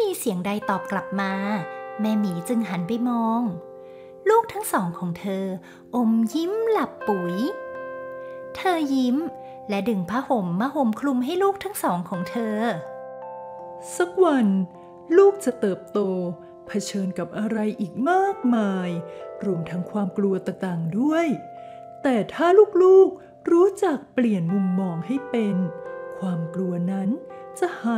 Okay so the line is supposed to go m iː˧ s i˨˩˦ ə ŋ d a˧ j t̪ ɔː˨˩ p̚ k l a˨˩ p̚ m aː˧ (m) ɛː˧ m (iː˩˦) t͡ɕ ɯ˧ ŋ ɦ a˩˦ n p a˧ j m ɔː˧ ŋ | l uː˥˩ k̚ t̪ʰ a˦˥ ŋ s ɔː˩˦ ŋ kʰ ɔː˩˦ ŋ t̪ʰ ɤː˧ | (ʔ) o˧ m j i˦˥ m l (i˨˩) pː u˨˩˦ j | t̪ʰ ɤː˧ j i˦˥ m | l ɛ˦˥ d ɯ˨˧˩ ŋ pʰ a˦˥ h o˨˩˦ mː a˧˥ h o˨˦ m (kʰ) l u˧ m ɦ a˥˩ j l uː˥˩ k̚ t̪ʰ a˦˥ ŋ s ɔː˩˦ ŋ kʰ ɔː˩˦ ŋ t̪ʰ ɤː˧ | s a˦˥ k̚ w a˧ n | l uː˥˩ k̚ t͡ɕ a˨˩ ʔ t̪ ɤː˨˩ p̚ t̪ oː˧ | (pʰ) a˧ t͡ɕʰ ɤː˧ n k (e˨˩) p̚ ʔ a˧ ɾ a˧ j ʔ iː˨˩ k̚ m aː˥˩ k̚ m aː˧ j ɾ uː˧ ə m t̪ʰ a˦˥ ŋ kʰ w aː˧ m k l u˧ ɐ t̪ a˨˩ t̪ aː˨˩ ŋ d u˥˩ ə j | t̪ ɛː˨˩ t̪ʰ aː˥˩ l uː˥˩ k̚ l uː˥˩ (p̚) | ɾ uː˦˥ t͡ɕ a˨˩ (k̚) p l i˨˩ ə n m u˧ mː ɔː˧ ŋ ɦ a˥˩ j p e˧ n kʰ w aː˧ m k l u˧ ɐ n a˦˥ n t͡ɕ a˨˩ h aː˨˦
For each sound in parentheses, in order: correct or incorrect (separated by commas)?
correct, correct, correct, incorrect, correct, correct, incorrect, incorrect, correct